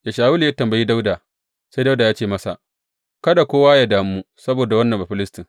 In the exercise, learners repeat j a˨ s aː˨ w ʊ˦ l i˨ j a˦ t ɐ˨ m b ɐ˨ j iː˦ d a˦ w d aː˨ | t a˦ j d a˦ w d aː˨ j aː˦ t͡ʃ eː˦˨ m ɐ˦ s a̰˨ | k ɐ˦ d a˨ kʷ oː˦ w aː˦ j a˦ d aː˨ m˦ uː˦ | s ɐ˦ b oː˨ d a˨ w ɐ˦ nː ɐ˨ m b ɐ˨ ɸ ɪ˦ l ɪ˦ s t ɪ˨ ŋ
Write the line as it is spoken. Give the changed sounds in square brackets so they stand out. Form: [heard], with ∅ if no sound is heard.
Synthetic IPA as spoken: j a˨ [ʃ] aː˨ w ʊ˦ l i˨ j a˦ t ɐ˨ m b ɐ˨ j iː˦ d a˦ w d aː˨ | [s] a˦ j d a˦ w d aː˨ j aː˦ t͡ʃ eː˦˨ m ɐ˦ s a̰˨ | k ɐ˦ d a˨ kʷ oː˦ w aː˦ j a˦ d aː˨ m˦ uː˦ | s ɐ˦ b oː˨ d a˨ w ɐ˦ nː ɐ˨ m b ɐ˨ ɸ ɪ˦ l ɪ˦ s t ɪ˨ ŋ